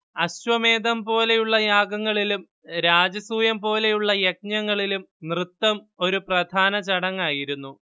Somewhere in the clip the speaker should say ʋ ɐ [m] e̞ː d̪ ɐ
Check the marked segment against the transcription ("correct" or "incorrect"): correct